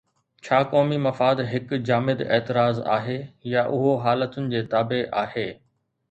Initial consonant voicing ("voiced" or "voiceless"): voiceless